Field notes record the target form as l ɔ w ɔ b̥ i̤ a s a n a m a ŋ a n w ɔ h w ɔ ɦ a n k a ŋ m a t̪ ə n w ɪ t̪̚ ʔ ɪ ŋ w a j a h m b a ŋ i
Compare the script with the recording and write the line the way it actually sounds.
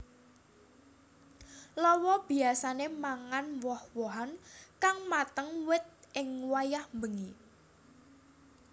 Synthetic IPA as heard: l ɔ w ɔ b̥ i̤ a s a n e m a ŋ a n w ɔ h w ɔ ɦ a n k a ŋ m a t̪ ə ŋ w ɪ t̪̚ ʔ ɪ ŋ w a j a h m b ə ŋ i

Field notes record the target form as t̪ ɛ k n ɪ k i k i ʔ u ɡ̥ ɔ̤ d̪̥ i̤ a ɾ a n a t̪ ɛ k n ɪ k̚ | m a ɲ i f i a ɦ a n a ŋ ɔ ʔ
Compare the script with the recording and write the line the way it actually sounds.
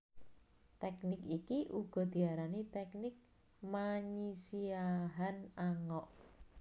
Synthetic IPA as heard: t̪ ɛ k n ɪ k i k i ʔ u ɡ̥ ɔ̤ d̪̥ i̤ a ɾ a n i t̪ ɛ k n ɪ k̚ | m a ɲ i s i a ɦ a n a ŋ ɔ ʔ

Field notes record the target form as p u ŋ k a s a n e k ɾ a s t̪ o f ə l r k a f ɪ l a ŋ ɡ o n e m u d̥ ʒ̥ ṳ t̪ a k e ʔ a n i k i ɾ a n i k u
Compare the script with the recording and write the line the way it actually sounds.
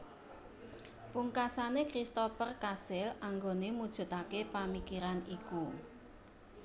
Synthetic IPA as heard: p u ŋ k a s a n e k ɾ i s t̪ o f ə r k a s ɪ l a ŋ ɡ o n e m u d̥ ʒ̥ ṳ t̪ a k e p a m i k i ɾ a n i k u

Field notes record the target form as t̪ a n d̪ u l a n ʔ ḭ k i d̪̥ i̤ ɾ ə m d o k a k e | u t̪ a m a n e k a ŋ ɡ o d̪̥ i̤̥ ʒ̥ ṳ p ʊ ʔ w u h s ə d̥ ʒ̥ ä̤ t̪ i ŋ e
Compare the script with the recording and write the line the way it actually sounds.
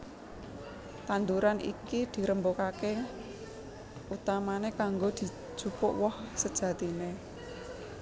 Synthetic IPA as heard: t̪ a n d̪ u ɾ a n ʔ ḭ k i d̪̥ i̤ ɾ ə m b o k a k e | u t̪ a m a n e k a ŋ ɡ o d̪̥ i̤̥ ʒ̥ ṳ p ʊ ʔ w ɔ h s ə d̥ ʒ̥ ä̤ t̪ i n e

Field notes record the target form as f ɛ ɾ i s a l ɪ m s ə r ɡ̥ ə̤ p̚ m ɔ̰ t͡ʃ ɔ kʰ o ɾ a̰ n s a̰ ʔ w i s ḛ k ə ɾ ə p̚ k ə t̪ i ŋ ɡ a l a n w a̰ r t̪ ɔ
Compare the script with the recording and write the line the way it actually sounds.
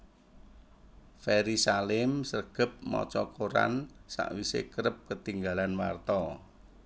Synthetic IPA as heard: f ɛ ɾ i s a l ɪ m s ə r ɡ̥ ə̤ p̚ m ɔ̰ t͡ʃ ɔ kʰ o ɾ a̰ n s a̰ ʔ w i s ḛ k ə ɾ ə p̚ k ə t̪ i ŋ ɡ a l a n w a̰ r t̪ ɔ

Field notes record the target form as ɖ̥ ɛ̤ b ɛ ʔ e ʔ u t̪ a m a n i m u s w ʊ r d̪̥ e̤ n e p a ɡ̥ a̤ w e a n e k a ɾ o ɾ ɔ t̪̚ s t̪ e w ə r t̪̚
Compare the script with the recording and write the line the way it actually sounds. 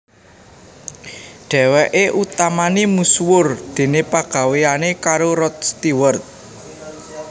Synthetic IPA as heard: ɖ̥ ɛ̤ w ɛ ʔ e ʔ u t̪ a m a n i m u s w ʊ r d̪̥ e̤ n e p a ɡ̥ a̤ w e a n e k a ɾ o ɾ ɔ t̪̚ s t̪ i w ə r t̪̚

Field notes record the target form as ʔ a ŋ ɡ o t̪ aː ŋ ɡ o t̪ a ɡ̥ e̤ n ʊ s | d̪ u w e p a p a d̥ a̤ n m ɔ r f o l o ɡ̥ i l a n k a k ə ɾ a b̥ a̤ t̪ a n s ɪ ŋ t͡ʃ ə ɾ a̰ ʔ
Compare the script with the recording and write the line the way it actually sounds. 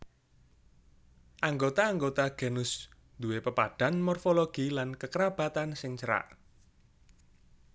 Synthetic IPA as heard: ʔ a ŋ ɡ o t̪ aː ŋ ɡ o t̪ a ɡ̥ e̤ n ʊ s | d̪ u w e p ə p a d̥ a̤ n m ɔ r f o l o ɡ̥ i l a n k ə k ə ɾ a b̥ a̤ t̪ a n s ɪ ŋ t͡ʃ ə ɾ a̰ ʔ

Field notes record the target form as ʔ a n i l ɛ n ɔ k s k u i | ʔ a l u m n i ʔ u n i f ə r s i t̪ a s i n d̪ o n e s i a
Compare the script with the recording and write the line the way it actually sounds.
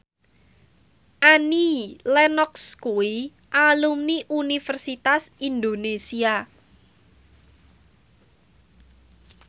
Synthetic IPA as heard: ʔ a n i l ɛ n ɔ k s k u i | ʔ a l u m n i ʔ u n i f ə r s i t̪ a s i n d̪ o n e s i a

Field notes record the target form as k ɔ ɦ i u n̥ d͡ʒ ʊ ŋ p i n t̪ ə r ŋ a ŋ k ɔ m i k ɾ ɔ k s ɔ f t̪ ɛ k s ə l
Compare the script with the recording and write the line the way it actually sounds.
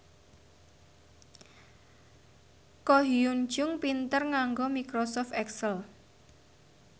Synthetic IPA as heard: k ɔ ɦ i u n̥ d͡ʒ ʊ ŋ p i n t̪ ə r ŋ a ŋ ɡ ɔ m i k ɾ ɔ s ɔ f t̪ ɛ k s ə l

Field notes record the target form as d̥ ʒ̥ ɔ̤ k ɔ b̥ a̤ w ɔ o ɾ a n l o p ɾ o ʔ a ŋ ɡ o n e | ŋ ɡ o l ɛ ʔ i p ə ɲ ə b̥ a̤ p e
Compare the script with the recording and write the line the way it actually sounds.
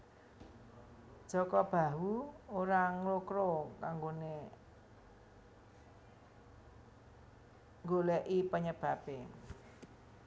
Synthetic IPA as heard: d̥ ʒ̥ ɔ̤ k ɔ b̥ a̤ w u o ɾ a ŋ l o k ɾ o k a ŋ ɡ o n e | ŋ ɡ o l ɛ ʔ i p ə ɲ ə b̥ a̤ p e

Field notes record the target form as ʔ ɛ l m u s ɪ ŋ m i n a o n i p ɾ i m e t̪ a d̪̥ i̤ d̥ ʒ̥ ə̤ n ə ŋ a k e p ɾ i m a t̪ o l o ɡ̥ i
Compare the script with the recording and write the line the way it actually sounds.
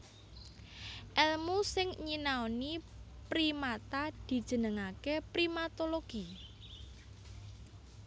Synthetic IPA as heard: ʔ ɛ l m u s ɪ ŋ ɲ i n a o n i p ɾ i m a t̪ a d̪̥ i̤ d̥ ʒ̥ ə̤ n ə ŋ a k e p ɾ i m a t̪ o l o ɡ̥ i

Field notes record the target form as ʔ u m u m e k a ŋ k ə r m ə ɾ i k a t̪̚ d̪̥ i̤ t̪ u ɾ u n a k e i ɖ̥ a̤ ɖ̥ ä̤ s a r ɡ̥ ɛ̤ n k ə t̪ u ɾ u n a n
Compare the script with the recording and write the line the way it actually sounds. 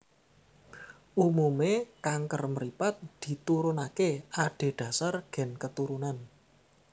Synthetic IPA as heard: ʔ u m u m e k a ŋ k ə r m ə ɾ i p a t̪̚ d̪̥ i̤ t̪ u ɾ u n a k e a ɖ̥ e̤ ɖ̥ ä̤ s a r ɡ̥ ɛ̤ n k ə t̪ u ɾ u n a n

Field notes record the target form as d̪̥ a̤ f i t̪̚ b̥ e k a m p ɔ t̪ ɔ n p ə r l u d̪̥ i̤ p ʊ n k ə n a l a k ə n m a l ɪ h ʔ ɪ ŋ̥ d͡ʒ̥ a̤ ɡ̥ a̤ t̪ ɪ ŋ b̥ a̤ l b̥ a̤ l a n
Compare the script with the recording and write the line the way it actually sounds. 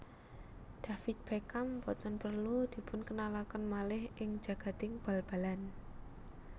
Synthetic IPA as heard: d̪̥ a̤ f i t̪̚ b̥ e k a m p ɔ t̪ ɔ n p ə r l u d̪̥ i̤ p ʊ n k ə n a l a k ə n m a l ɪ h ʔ ɪ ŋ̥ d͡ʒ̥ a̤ ɡ̥ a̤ t̪ ɪ ŋ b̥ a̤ l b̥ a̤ l a n

